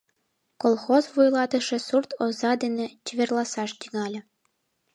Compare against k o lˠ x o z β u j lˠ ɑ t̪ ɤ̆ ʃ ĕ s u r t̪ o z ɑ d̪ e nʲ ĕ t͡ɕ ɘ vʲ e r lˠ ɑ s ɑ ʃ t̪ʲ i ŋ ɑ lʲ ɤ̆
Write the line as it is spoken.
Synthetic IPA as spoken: k o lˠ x o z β u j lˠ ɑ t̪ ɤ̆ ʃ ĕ s u r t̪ o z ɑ d̪ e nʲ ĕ t͡ɕ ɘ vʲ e r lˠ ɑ s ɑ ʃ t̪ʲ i ŋ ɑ lʲ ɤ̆

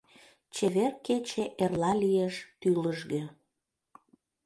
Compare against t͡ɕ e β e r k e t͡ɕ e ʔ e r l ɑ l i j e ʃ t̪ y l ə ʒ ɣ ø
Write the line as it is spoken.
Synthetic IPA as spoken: t͡ɕ e β e r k e t͡ɕ e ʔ e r l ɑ l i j e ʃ t̪ y l ə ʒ ɣ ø

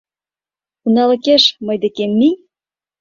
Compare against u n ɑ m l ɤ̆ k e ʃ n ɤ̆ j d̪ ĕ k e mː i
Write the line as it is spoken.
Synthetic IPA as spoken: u n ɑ l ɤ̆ k e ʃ m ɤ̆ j d̪ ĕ k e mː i

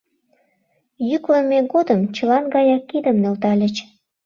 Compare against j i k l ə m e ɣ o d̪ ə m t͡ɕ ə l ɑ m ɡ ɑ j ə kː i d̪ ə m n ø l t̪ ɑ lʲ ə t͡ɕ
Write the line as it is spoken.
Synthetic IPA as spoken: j y k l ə m e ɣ o d̪ ə m t͡ɕ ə l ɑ n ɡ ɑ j ɑ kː i d̪ ə m n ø l t̪ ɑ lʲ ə t͡ɕ

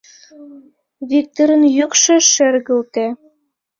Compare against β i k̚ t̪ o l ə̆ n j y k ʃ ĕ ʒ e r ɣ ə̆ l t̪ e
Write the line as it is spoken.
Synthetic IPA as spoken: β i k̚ t̪ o ɾ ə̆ n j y k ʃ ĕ ʃ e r ɣ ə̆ l t̪ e

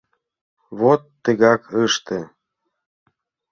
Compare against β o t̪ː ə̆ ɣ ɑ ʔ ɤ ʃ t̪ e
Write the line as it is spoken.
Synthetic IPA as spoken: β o t̪ː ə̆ ɣ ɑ k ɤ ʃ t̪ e

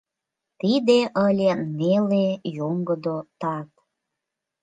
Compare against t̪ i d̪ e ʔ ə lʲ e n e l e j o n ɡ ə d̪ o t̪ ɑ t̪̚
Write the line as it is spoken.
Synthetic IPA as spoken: t̪ i d̪ e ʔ ə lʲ e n e l e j o ŋ ɡ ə d̪ o t̪ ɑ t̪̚

